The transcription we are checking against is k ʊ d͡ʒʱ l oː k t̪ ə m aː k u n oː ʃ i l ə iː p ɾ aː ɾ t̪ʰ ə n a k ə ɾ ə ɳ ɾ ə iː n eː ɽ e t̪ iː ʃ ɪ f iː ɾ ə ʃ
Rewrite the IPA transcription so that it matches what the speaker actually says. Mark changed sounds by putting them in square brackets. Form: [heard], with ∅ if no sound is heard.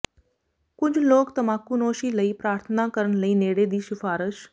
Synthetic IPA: k ʊ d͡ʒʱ l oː k t̪ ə m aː k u n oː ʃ i l ə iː p ɾ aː ɾ t̪ʰ ə n a k ə ɾ ə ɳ [l] ə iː n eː ɽ e [d̪] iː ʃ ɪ f [aː] ɾ ə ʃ